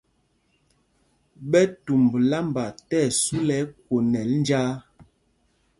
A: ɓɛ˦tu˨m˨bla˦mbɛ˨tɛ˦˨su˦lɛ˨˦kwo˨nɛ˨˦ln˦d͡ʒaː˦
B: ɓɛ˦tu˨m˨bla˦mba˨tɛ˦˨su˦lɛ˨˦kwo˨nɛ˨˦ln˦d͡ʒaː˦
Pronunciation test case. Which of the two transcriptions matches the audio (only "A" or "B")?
B